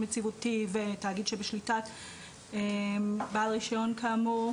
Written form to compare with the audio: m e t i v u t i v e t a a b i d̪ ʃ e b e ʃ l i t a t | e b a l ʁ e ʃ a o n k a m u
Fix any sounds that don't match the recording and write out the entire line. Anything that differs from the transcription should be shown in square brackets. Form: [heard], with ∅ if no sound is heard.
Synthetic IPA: m e [t͡s] i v u t i v e t a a [ɡ] i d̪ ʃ e b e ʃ l i t a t | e b a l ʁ [i] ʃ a o n k a m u